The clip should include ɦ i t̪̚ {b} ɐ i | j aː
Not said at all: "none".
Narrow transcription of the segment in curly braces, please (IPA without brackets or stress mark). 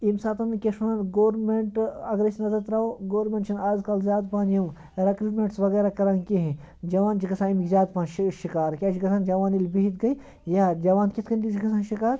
ɡ